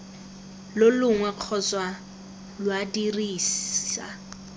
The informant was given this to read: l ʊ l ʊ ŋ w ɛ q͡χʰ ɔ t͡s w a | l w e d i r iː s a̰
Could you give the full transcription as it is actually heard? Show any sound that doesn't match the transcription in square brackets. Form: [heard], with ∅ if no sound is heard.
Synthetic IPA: l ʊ l ʊ ŋ w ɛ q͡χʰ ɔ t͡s w a | l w [a] d i r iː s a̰